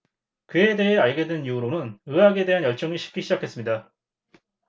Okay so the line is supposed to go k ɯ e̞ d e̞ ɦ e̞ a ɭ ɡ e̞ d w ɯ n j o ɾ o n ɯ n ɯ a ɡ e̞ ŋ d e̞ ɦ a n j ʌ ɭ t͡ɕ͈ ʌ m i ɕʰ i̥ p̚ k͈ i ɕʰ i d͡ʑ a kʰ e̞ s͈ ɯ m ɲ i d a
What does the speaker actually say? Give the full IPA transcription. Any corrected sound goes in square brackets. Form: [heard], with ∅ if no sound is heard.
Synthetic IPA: k ɯ e̞ d e̞ ɦ e̞ a ɭ ɡ e̞ d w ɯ n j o ɾ o n ɯ n ɯ a ɡ e̞ [∅] d e̞ ɦ a n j ʌ ɭ t͡ɕ͈ ʌ [ŋ] i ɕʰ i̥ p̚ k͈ i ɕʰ i d͡ʑ a kʰ e̞ s͈ ɯ m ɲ i d a